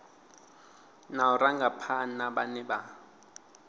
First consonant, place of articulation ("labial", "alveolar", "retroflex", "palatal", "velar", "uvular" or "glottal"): alveolar